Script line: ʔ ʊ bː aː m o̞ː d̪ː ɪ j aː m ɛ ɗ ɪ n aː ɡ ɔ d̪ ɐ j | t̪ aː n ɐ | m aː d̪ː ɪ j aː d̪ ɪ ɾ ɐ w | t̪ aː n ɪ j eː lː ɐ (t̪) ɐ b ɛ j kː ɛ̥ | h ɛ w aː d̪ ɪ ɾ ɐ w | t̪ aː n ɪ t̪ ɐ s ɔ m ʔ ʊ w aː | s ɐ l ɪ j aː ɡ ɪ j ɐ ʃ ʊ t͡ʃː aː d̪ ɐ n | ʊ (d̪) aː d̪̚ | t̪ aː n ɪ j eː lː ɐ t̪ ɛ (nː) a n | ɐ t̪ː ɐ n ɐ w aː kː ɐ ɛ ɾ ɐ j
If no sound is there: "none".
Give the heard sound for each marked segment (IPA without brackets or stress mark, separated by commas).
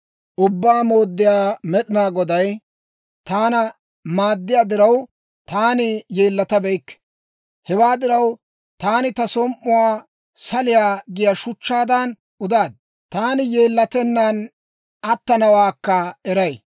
t̪, d̪, nː